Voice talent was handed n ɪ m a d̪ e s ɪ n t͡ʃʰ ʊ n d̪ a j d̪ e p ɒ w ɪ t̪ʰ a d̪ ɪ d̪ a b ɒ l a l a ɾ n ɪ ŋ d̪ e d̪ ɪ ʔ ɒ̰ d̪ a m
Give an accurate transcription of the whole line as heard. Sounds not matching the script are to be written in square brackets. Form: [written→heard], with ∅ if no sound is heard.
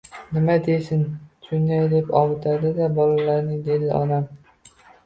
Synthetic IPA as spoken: n ɪ m a d̪ e s ɪ n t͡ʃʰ ʊ n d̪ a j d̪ e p ɒ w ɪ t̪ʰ a d̪ ɪ d̪ a b ɒ l a l a ɾ n ɪ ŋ d̪ e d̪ ɪ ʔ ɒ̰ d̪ a m